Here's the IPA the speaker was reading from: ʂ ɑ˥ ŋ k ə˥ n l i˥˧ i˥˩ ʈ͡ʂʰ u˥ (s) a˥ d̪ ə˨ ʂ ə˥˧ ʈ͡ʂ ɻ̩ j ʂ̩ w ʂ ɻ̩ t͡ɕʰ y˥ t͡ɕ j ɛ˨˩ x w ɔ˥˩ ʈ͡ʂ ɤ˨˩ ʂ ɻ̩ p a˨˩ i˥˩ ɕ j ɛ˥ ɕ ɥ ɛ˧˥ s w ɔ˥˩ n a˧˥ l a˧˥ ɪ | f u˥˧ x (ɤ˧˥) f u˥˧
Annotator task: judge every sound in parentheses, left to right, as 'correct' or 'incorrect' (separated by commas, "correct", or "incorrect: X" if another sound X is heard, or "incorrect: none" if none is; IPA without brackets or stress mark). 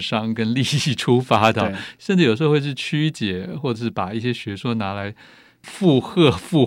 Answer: incorrect: f, incorrect: ɤ˥˧